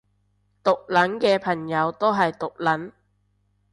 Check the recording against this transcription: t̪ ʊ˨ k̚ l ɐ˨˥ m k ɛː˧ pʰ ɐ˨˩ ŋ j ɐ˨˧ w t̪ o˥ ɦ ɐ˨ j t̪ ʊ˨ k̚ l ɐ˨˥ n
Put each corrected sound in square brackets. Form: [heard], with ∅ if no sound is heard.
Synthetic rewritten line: t̪ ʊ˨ k̚ l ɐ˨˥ [n] k ɛː˧ pʰ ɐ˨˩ ŋ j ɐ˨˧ w t̪ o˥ ɦ ɐ˨ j t̪ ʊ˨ k̚ l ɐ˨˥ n